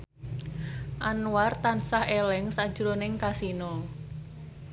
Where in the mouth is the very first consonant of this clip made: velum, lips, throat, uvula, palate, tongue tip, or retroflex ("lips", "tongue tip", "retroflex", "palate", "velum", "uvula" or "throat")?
throat